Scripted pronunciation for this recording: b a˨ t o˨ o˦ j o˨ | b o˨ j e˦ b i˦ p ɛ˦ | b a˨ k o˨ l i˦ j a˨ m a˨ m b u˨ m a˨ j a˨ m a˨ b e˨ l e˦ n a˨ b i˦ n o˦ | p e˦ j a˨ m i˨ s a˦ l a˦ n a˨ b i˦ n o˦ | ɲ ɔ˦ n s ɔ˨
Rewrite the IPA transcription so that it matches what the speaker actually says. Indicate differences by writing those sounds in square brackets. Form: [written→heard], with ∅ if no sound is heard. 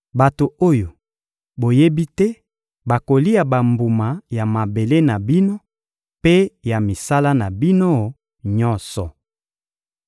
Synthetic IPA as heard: b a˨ t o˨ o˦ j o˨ | b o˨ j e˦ b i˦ [p→t] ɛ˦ | b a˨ k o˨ l i˦ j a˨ [m→b] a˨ m b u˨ m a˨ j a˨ m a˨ b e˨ l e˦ n a˨ b i˦ n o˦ | p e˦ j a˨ m i˨ s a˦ l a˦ n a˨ b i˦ n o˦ | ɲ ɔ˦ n s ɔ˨